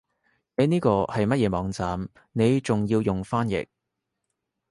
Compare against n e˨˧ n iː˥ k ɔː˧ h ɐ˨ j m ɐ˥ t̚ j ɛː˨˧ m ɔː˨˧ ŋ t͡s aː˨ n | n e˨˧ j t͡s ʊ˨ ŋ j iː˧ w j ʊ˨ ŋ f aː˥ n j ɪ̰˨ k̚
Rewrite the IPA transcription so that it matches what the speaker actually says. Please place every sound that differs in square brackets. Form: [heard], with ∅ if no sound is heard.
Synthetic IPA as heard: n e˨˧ n iː˥ k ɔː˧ h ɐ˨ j m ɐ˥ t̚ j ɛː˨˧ m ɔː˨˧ ŋ t͡s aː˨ [m] | n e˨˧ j t͡s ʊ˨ ŋ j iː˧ w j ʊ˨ ŋ f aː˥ n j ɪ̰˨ k̚